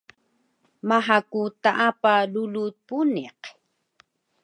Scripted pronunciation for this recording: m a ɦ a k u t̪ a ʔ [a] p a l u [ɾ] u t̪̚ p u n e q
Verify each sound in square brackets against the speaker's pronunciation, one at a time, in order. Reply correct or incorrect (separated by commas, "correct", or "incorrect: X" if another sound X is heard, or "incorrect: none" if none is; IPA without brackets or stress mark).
correct, incorrect: l